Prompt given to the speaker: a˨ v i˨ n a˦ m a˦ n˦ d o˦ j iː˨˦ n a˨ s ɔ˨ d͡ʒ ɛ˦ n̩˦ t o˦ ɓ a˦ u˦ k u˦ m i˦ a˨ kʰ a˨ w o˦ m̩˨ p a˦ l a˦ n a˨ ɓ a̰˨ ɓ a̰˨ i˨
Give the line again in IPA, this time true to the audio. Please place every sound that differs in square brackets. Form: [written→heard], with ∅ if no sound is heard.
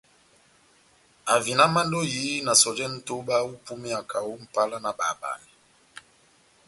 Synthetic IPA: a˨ v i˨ n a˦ m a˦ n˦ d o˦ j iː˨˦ n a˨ s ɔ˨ d͡ʒ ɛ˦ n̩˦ t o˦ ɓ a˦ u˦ [k→p] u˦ m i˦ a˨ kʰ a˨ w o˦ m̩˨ p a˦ l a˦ n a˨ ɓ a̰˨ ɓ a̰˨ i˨